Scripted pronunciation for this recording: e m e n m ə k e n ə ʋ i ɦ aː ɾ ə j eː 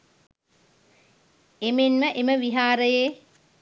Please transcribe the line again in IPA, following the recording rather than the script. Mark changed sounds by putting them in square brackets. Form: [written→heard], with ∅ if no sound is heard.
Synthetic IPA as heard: e m e n m ə [k→ʔ] e [n→m] ə ʋ i ɦ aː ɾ ə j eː